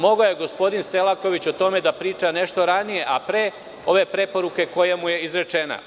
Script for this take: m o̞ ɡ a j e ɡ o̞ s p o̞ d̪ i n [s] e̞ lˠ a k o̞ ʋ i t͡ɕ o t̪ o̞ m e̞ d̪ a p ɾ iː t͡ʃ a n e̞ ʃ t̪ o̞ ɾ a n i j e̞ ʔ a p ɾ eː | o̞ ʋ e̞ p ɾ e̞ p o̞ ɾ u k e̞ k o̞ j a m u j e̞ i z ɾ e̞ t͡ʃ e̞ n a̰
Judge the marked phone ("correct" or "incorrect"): correct